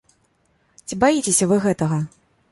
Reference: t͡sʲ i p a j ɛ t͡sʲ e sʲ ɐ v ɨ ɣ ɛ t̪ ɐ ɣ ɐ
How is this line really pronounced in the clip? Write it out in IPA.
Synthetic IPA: t͡sʲ i b a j i t͡sʲ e sʲ ɐ v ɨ ɣ ɛ t̪ ɐ ɣ ɐ